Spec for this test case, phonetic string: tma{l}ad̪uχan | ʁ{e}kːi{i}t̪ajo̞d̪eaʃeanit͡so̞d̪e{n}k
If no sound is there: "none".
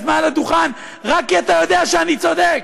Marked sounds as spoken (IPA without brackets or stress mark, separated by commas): l, a, a, none